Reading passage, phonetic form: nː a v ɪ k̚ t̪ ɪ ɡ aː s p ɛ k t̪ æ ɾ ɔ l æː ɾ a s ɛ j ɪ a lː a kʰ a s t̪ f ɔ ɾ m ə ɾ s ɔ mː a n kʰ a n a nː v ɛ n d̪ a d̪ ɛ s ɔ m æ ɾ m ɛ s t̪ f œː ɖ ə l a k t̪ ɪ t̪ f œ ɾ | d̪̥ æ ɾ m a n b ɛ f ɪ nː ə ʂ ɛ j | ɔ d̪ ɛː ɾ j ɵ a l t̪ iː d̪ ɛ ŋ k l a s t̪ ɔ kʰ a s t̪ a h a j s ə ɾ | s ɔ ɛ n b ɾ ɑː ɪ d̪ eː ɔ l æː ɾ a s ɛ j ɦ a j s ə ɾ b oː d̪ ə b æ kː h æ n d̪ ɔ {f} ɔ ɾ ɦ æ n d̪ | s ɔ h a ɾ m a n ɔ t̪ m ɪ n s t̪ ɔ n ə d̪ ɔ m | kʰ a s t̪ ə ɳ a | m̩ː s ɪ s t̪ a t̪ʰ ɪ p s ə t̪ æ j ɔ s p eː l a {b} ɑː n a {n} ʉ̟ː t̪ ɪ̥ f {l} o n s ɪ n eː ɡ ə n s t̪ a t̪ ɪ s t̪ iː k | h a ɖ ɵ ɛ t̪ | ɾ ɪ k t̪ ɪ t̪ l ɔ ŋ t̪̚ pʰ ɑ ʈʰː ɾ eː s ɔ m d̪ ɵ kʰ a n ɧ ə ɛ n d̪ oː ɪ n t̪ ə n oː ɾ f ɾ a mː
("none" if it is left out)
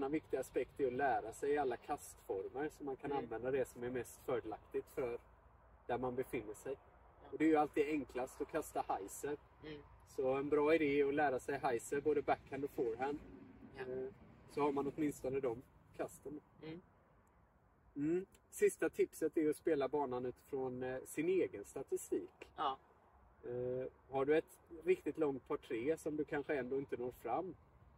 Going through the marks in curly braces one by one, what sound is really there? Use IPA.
f, b, n, ɾ

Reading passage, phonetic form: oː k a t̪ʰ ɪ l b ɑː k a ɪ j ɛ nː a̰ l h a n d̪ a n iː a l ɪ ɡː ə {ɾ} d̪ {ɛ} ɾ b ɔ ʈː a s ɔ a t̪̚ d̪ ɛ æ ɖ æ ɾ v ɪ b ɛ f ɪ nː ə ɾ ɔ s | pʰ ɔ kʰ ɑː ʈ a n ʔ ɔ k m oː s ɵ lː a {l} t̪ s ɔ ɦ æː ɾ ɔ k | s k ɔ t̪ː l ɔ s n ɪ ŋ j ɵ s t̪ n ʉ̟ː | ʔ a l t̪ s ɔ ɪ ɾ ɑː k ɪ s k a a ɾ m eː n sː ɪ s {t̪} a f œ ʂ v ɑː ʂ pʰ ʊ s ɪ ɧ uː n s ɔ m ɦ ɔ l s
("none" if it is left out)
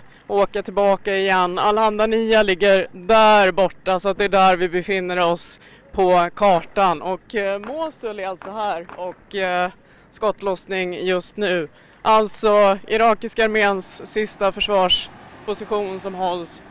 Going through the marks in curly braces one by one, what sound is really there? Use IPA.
ɾ, æ, l, t̪

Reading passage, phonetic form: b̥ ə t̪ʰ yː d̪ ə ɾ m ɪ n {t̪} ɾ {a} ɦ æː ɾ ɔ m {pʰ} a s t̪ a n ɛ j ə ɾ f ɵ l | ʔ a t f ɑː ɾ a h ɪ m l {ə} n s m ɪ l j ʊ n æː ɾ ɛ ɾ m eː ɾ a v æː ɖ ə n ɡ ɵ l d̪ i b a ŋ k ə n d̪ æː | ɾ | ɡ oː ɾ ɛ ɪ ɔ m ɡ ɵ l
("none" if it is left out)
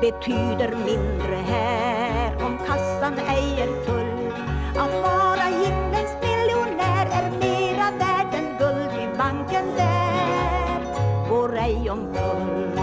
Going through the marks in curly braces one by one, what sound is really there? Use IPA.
d̪, ə, kʰ, ə

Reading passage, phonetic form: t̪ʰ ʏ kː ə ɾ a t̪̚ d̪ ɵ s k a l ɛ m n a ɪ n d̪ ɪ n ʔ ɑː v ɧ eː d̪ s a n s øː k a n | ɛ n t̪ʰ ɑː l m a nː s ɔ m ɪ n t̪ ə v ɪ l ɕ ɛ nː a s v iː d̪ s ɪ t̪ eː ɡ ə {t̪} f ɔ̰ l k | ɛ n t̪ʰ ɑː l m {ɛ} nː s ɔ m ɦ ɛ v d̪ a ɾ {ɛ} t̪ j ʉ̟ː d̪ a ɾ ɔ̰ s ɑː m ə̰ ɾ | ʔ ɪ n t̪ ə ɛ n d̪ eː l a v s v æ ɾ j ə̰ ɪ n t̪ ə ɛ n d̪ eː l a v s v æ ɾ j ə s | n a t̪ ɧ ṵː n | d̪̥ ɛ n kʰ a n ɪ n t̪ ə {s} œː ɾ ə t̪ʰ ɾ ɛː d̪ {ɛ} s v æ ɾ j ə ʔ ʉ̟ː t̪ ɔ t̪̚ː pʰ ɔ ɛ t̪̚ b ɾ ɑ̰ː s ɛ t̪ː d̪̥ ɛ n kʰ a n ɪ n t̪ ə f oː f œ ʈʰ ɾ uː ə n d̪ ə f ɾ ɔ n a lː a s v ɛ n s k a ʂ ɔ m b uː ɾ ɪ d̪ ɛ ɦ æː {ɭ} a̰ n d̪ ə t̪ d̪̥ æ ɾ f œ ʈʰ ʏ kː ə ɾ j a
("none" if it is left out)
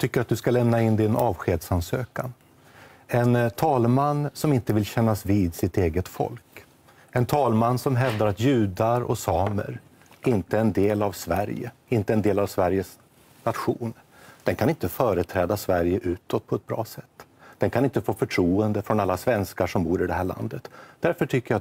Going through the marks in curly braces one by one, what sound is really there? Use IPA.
t̪, a, a, f, a, ɭ

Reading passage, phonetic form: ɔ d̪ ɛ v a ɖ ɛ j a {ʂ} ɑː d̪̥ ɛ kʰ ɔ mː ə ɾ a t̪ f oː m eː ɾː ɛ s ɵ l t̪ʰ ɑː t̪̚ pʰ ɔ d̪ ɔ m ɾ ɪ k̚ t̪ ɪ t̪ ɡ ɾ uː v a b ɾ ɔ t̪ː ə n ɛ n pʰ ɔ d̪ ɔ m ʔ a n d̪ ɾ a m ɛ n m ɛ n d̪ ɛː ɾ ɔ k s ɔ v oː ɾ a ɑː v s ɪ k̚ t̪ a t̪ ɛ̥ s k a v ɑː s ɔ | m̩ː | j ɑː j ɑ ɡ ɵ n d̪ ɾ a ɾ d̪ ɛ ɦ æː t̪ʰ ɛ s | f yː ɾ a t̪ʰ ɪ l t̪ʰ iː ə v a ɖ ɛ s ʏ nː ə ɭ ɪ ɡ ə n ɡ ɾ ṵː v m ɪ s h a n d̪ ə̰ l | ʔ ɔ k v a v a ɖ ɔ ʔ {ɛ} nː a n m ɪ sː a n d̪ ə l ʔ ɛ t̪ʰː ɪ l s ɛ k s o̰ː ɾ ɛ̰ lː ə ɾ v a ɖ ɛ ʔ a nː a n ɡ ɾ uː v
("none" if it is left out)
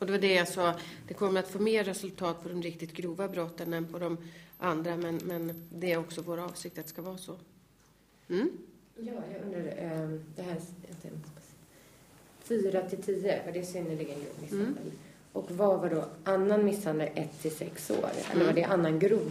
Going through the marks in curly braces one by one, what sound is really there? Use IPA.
s, a

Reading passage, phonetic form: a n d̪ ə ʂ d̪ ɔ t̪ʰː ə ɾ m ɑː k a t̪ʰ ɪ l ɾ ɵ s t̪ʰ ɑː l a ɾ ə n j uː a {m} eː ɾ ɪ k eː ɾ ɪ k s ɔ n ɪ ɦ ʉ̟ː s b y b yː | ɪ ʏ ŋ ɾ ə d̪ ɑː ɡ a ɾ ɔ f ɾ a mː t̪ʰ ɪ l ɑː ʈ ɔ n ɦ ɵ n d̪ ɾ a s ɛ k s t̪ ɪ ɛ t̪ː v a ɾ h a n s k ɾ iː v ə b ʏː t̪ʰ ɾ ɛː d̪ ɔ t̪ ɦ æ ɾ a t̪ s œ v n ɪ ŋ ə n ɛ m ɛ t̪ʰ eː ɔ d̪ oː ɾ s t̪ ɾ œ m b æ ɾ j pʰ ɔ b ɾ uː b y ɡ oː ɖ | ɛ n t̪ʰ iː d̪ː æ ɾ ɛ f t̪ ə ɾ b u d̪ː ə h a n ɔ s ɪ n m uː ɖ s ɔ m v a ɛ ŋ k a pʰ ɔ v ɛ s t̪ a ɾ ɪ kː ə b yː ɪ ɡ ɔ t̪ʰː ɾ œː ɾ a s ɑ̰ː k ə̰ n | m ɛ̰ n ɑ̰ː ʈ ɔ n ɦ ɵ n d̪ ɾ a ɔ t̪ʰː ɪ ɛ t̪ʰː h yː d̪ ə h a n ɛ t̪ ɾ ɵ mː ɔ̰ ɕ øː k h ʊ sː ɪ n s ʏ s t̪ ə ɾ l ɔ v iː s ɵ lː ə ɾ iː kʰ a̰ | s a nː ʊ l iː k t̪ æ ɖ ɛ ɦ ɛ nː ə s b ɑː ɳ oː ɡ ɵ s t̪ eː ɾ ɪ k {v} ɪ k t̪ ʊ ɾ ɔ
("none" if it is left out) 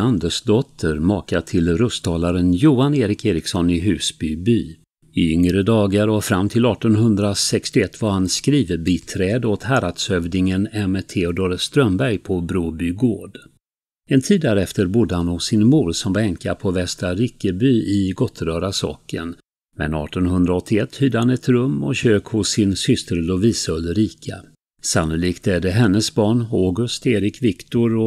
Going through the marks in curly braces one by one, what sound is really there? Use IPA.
n, v

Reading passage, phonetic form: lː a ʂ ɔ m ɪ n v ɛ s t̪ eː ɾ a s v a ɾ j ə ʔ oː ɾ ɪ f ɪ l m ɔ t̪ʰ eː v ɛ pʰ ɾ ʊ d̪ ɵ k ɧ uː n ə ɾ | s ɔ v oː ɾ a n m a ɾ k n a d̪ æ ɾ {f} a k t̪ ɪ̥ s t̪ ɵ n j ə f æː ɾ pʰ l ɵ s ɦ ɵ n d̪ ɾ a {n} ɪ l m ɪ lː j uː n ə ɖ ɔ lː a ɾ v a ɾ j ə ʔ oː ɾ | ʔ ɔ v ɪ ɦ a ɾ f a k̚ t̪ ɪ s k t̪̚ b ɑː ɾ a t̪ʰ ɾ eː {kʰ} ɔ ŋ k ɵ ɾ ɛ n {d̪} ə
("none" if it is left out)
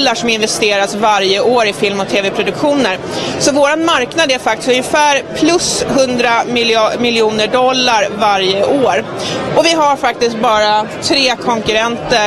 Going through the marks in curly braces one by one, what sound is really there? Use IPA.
f, m, kʰ, t̪

